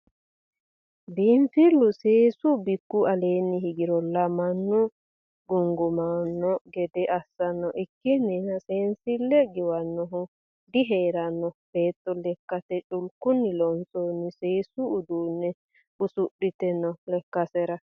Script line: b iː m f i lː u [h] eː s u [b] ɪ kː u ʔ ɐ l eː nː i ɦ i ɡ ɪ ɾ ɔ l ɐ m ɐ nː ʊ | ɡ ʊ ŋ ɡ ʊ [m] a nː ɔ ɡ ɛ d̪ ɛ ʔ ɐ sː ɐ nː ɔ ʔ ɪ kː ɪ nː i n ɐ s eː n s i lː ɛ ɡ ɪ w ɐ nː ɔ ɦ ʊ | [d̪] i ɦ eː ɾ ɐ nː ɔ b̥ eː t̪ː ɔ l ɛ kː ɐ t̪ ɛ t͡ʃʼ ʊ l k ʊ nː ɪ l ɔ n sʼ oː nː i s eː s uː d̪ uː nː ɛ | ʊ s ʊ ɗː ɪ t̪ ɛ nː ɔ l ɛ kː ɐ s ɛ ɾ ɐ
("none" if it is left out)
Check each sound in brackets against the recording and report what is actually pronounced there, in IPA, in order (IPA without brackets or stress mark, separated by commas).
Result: s, b, m, d̪